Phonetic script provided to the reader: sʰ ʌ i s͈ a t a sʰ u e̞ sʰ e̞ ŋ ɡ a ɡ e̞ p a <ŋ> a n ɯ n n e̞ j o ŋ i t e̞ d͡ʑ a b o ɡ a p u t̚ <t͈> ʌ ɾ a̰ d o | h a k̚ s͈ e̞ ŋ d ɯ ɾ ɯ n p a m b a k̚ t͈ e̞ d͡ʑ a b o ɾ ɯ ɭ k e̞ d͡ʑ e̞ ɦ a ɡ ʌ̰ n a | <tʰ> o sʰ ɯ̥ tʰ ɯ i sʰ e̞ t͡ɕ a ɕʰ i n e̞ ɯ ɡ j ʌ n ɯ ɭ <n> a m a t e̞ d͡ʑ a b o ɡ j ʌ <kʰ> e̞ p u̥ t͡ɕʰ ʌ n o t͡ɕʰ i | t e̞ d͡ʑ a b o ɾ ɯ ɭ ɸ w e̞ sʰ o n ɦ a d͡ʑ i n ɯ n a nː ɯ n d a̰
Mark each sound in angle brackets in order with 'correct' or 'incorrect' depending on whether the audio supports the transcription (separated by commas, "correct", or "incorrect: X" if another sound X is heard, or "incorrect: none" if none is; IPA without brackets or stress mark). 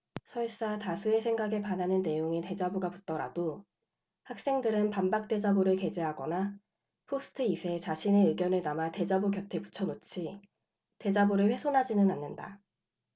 incorrect: n, correct, incorrect: pʰ, correct, incorrect: tʰ